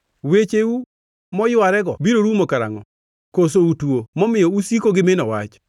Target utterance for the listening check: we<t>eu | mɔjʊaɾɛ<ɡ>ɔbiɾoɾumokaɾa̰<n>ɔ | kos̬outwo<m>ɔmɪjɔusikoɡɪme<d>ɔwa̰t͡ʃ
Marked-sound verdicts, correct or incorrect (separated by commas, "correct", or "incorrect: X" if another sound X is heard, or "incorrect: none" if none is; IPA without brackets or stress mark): incorrect: t͡ʃ, correct, incorrect: ŋ, correct, incorrect: n